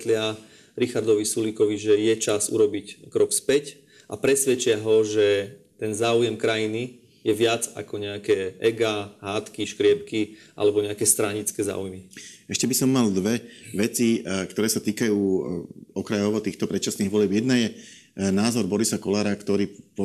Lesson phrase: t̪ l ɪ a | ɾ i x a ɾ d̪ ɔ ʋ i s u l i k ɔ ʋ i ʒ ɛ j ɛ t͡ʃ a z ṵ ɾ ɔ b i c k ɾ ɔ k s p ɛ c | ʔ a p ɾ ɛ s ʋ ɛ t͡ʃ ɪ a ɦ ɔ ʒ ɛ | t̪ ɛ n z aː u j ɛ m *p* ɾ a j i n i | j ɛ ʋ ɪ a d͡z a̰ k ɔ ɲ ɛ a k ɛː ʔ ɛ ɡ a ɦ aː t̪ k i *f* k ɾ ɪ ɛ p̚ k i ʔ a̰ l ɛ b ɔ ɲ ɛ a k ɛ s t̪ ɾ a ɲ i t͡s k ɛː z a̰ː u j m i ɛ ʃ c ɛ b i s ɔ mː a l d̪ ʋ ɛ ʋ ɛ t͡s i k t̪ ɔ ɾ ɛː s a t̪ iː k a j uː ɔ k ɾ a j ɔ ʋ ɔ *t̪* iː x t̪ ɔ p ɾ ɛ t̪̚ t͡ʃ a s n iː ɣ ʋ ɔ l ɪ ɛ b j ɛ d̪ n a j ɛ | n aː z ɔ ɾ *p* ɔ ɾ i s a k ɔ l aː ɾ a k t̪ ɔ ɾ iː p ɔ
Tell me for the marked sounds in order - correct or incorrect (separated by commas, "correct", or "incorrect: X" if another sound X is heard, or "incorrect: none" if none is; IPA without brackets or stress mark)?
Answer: incorrect: k, incorrect: ʃ, correct, incorrect: b